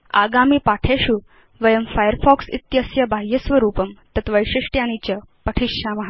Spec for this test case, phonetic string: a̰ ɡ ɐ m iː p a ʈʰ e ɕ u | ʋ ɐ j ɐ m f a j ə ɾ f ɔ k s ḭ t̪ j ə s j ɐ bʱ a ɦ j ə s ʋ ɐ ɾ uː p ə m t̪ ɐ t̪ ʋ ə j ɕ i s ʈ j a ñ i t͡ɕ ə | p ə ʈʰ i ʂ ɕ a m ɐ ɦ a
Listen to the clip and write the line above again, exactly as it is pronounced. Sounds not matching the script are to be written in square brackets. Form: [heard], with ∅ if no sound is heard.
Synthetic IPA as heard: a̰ ɡ [a] m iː p a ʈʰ e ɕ u | ʋ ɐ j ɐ m f a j ə ɾ f ɔ k s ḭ t̪ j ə s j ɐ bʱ a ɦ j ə s ʋ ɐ ɾ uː p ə m t̪ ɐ t̪ ʋ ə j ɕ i [ʂ] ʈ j a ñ i t͡ɕ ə | p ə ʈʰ i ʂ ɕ a m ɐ ɦ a